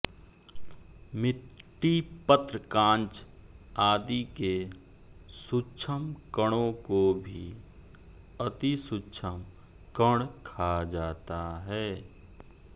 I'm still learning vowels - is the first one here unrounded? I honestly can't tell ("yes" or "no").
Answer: yes